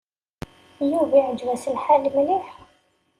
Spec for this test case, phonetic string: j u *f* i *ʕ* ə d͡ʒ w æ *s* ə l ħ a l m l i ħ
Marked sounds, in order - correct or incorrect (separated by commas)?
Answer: incorrect, correct, correct